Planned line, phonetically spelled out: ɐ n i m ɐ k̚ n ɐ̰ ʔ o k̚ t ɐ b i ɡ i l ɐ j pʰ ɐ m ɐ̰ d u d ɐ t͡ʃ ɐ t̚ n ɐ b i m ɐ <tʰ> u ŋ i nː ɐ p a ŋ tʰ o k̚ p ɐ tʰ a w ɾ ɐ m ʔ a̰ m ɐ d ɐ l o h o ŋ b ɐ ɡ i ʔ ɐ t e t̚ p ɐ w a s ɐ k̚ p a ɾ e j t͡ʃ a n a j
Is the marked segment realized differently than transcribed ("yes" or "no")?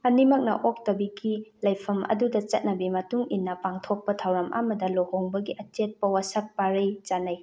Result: yes